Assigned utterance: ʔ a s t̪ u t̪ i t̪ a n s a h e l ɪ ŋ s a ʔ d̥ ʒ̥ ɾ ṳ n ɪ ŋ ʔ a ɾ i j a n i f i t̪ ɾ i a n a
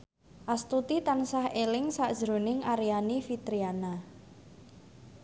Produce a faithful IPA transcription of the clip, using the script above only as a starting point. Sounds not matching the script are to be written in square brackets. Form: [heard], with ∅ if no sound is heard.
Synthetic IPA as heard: ʔ a s t̪ u t̪ i t̪ a n s a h e l ɪ ŋ s a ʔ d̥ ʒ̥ ɾ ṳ n ɪ ŋ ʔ a ɾ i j a n i f i t̪ ɾ i a n a

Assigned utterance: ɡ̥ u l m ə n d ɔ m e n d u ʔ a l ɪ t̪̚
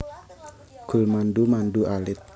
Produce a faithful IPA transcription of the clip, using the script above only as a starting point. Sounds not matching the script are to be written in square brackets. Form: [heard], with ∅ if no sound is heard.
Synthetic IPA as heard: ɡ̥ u l m [a] n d [u] m [a] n d u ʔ a l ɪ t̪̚

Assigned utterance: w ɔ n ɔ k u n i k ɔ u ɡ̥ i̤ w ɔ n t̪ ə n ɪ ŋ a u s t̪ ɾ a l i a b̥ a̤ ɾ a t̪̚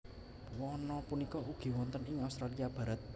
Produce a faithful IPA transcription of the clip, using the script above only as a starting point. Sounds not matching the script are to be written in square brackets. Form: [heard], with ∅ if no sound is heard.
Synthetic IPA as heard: w ɔ n ɔ [p] u n i k ɔ u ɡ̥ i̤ w ɔ n t̪ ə n ɪ ŋ a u s t̪ ɾ a l i a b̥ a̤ ɾ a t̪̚

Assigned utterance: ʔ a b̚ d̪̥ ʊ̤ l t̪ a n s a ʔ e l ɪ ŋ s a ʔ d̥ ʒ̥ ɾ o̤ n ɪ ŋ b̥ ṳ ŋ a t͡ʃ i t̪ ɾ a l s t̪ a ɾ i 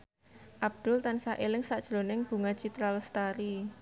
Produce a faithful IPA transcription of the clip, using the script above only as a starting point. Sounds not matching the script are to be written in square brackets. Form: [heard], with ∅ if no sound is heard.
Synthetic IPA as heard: ʔ a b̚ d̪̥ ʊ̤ l t̪ a n s a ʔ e l ɪ ŋ s a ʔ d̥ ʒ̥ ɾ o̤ n ɪ ŋ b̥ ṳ ŋ a t͡ʃ i t̪ ɾ a l s t̪ a ɾ i

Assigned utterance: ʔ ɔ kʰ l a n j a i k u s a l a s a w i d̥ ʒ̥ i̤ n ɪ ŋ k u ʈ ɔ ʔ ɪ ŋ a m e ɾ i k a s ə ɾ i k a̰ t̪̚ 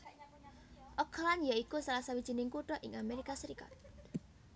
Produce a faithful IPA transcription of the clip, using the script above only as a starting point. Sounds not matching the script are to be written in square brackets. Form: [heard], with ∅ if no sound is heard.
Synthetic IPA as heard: ʔ ɔ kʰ l a n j a i k u s a l a s a w i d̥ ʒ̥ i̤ n ɪ ŋ k u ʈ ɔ ʔ ɪ ŋ a m e ɾ i k a s ə ɾ i k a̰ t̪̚

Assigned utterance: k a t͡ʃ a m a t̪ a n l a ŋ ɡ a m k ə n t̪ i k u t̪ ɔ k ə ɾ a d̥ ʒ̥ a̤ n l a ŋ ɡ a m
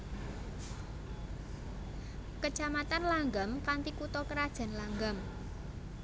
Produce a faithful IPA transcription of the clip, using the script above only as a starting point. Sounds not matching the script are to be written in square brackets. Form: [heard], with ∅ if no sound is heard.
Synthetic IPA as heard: k [ə] t͡ʃ a m a t̪ a n l a ŋ ɡ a m k [a] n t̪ i k u t̪ ɔ k ə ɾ a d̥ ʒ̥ a̤ n l a ŋ ɡ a m

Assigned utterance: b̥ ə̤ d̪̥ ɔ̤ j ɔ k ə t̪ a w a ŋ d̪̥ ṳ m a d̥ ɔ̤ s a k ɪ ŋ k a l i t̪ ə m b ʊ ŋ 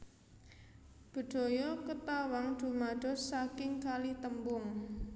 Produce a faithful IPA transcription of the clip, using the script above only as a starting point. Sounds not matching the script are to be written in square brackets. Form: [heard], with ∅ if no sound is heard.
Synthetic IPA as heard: b̥ ə̤ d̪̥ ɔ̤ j ɔ k ə t̪ a w a ŋ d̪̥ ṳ m a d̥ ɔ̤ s a k ɪ ŋ k a l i t̪ ə m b ʊ ŋ

